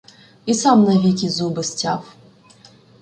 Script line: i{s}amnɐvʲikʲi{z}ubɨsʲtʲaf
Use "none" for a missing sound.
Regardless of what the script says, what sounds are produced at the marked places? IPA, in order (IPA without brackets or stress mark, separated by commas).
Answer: s, z